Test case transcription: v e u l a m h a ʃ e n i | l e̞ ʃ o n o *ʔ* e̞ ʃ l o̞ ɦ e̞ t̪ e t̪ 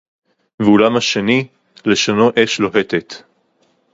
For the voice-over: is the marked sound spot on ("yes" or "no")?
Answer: yes